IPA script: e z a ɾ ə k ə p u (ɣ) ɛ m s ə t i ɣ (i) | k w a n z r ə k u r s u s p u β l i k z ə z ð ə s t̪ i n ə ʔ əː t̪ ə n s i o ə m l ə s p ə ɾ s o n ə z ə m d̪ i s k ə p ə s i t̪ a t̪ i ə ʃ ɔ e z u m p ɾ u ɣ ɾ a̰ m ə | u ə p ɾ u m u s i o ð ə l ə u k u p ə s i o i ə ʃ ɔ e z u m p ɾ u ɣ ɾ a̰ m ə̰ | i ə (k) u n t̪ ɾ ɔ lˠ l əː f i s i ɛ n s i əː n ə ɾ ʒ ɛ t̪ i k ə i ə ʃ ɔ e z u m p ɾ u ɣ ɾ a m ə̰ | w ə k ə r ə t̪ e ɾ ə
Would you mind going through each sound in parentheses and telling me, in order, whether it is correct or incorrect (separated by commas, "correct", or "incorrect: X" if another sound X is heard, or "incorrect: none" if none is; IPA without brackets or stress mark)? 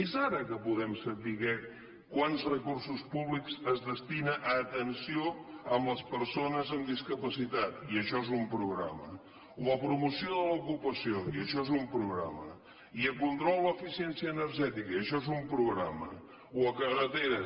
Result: incorrect: ð, incorrect: ɛ, correct